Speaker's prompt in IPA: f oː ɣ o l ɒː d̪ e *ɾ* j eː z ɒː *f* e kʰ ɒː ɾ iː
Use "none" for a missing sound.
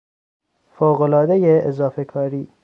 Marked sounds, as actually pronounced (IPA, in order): none, f

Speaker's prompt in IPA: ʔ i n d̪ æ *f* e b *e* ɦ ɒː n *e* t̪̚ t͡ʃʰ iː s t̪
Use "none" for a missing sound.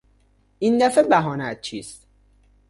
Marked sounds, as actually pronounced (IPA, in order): f, æ, æ

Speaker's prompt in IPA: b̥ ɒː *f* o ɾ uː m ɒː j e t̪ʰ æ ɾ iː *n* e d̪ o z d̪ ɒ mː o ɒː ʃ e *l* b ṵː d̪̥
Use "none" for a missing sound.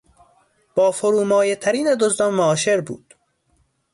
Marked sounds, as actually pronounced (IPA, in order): f, n, ɾ

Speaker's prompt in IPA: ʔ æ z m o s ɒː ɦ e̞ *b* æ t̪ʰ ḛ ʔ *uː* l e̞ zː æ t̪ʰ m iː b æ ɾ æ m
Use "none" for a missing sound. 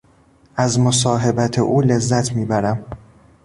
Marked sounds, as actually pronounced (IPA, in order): b, uː

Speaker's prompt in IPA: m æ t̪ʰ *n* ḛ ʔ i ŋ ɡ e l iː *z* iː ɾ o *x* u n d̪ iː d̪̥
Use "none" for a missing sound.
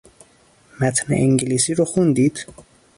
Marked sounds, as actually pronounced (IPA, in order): n, s, x

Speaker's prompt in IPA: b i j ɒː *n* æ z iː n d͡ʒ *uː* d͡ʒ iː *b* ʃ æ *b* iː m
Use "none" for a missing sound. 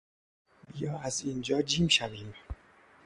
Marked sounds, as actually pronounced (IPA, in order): none, ɒː, m, v

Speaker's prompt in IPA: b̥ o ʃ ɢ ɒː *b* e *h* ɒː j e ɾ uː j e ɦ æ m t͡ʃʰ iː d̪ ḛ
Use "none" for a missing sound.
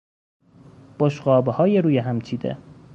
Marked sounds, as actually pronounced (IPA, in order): b, h

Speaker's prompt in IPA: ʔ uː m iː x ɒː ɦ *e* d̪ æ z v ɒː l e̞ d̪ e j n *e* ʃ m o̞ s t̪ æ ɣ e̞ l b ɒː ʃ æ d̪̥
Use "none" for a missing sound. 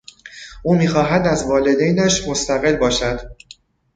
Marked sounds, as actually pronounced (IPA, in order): æ, æ

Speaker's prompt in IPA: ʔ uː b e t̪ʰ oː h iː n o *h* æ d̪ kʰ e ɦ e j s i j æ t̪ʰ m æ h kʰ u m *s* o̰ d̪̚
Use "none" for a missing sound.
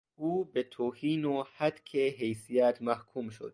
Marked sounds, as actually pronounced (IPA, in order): h, ʃ

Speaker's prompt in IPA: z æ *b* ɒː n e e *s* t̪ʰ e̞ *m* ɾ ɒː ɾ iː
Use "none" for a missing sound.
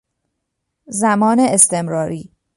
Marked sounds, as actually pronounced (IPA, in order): m, s, m

